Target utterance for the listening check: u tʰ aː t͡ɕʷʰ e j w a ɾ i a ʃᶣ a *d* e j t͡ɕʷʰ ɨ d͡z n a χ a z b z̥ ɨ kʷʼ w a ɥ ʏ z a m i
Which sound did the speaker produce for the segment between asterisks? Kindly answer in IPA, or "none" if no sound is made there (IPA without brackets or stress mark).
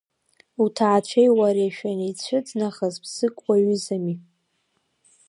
n